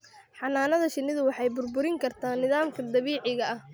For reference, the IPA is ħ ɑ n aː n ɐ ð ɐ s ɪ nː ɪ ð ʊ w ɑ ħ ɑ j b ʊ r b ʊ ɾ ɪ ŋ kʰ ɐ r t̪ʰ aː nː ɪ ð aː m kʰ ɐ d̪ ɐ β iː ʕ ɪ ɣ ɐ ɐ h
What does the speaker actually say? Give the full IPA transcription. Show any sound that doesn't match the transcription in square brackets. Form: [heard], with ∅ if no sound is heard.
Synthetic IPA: ħ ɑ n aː n ɐ ð ɐ [ʃ] ɪ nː ɪ ð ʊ w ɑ ħ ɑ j b ʊ r b ʊ ɾ ɪ ŋ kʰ ɐ r t̪ʰ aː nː ɪ ð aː m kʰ ɐ d̪ ɐ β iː ʕ ɪ ɣ ɐ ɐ h